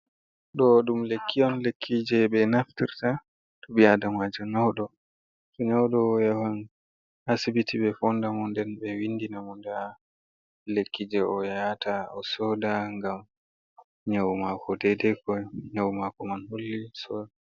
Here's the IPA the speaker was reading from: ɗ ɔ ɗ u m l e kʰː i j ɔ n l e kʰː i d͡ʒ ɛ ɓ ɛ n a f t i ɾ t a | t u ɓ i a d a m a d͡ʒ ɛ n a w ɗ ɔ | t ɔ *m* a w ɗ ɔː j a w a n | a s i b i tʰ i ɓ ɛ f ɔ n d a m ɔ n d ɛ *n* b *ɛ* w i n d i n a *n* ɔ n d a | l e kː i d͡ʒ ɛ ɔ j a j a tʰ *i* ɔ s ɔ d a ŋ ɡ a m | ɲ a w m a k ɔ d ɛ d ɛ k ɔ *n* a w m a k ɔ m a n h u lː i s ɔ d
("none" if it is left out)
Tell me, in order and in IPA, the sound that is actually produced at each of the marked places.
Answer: ɲ, n, ɛ, m, a, ɲ

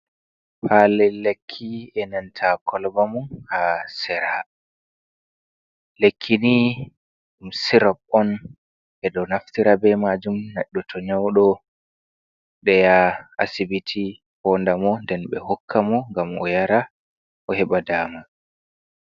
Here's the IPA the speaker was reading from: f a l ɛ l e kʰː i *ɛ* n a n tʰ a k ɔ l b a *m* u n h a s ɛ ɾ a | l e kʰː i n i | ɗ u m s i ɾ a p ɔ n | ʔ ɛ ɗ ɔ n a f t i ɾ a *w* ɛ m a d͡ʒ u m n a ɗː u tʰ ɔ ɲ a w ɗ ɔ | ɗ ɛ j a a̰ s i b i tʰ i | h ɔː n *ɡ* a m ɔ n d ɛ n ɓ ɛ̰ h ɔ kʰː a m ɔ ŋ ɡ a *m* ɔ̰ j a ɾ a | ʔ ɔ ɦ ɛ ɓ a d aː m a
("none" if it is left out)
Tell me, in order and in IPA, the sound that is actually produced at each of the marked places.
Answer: ɛ, m, b, d, m

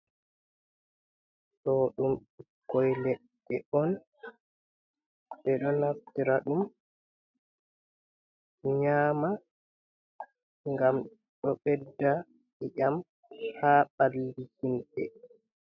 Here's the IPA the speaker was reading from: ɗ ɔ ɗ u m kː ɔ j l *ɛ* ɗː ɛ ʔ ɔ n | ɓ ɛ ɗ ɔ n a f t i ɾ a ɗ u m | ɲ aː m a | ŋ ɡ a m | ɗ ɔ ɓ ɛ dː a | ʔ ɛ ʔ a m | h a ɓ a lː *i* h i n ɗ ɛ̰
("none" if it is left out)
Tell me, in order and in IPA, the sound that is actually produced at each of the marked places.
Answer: ɛ, i

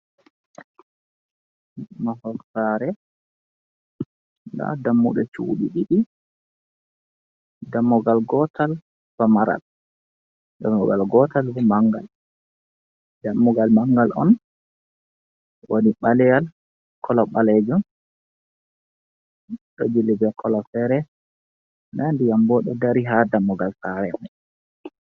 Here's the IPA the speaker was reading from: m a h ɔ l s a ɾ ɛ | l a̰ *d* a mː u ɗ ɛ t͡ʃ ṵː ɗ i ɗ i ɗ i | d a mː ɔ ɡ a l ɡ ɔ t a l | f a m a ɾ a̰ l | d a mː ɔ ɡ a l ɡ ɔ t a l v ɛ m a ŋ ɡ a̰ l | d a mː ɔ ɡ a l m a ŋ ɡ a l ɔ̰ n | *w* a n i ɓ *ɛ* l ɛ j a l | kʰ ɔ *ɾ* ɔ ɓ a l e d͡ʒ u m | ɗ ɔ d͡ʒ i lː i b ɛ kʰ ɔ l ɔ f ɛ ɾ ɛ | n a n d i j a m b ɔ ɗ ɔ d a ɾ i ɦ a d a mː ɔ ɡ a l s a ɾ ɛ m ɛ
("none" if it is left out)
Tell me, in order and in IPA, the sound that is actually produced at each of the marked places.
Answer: d, w, a, l

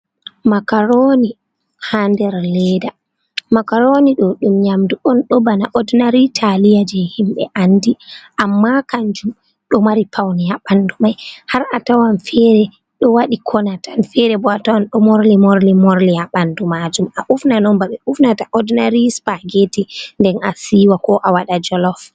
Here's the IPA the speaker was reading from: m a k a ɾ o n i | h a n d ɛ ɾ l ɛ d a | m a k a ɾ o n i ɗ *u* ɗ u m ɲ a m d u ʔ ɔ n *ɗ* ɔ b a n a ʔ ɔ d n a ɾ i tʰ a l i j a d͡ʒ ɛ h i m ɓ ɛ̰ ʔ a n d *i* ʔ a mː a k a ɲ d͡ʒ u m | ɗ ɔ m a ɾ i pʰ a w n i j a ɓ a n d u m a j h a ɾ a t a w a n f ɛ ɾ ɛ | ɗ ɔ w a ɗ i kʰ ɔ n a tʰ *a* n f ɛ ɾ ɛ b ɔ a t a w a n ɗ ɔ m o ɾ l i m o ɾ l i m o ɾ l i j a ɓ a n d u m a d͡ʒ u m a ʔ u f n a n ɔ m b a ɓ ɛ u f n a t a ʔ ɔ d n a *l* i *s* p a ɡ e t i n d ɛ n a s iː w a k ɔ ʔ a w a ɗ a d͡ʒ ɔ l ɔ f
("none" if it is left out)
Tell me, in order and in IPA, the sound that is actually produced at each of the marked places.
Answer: ɔ, ɗ, i, a, ɾ, s

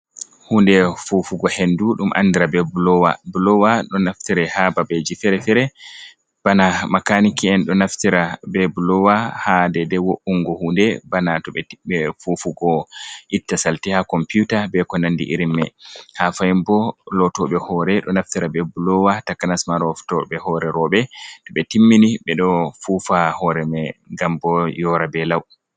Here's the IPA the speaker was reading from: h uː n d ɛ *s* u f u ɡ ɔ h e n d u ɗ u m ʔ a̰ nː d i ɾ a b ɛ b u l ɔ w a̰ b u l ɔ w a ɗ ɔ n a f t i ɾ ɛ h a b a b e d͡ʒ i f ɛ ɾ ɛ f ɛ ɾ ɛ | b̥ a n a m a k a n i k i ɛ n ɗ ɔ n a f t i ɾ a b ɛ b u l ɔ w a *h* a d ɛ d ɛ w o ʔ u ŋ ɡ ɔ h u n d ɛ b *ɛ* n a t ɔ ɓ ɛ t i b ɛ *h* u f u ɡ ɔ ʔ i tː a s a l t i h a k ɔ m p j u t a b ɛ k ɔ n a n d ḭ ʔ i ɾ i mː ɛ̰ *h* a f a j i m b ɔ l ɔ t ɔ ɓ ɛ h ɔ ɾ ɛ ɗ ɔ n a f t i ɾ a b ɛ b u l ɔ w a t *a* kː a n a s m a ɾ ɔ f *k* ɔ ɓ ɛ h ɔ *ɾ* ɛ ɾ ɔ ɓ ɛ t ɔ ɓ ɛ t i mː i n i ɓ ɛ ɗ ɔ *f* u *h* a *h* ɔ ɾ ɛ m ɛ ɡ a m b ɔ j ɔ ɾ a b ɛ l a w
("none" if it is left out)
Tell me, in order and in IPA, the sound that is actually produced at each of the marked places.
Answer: f, h, a, f, h, a, t, ɾ, f, f, h

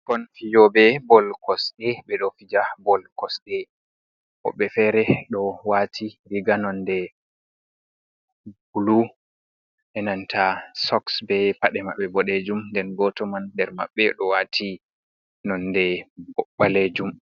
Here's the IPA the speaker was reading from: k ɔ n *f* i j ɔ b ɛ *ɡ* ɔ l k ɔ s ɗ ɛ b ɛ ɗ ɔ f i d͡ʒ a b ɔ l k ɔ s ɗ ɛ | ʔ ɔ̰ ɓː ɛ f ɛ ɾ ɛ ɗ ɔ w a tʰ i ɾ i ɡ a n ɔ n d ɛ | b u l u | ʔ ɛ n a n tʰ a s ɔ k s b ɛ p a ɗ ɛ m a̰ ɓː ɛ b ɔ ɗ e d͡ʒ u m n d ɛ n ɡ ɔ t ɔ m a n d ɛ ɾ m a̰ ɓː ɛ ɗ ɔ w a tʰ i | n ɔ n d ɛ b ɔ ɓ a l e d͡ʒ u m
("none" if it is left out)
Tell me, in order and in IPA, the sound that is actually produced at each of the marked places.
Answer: f, b

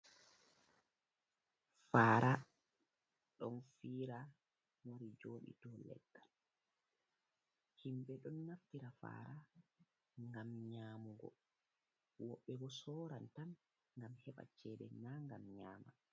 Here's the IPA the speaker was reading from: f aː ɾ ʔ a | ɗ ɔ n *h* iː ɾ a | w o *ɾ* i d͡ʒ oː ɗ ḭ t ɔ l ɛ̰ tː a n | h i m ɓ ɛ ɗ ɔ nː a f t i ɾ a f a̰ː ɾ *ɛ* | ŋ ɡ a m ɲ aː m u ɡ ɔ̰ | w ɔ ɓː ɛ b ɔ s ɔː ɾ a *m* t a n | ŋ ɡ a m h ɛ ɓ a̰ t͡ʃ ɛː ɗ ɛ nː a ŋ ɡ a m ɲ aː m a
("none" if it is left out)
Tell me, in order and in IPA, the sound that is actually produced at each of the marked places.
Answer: f, ɾ, a, n

